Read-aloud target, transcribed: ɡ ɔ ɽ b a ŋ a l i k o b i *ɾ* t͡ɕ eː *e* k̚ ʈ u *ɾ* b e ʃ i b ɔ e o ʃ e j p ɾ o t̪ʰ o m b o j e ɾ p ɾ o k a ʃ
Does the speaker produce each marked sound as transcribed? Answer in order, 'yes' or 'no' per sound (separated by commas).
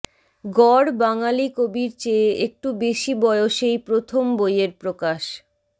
yes, yes, no